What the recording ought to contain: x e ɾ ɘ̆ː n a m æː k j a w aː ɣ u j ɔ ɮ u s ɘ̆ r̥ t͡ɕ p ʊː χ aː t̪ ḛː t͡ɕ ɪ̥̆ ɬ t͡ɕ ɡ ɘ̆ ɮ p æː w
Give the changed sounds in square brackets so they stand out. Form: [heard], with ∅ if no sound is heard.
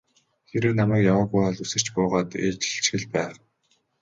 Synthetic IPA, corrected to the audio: x e ɾ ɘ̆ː n a m æː k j a w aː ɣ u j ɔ ɮ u s ɘ̆ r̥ t͡ɕ p ʊː [ʁ] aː t̪ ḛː t͡ɕ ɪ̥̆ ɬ t͡ɕ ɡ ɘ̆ ɮ p æː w